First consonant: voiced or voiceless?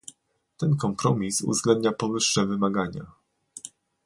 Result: voiceless